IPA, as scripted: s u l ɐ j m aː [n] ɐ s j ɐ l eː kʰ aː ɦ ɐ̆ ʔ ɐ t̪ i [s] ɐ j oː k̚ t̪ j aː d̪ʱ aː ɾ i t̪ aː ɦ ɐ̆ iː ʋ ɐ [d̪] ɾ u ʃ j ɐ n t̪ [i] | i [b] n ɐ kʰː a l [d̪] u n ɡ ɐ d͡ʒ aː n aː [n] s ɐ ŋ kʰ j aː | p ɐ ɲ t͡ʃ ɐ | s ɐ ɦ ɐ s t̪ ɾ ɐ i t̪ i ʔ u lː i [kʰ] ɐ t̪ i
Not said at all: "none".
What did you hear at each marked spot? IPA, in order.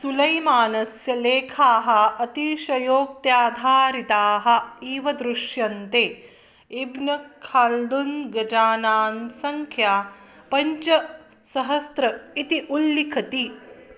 n, ʃ, d̪, e, b, d̪, n, kʰ

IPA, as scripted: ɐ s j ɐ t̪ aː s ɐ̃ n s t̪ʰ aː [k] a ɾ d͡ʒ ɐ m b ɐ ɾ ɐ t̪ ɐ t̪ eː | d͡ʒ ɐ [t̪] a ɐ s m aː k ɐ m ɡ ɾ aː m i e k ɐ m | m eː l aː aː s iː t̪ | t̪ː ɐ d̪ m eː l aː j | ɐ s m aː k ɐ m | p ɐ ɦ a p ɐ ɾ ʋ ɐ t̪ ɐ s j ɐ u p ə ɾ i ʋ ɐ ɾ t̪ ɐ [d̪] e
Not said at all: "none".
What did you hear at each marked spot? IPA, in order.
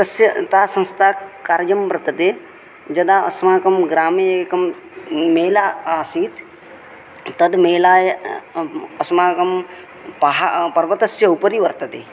k, d̪, t̪

